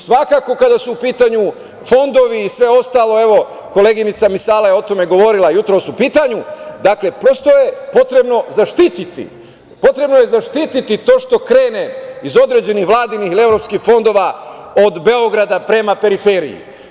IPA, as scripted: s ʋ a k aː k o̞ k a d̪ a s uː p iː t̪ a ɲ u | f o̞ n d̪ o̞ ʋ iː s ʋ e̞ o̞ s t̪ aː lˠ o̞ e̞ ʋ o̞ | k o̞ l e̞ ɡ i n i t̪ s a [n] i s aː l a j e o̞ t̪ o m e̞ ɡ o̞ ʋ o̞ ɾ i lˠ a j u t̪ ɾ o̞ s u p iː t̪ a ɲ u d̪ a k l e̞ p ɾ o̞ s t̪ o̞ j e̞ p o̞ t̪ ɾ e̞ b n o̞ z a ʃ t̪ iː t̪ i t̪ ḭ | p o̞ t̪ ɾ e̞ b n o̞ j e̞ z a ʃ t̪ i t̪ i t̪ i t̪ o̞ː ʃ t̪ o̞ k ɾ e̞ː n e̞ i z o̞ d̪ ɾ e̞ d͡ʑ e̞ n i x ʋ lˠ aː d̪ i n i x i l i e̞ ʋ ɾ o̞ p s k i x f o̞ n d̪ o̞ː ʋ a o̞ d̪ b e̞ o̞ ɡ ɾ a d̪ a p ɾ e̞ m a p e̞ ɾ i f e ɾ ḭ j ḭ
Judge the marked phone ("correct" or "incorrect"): incorrect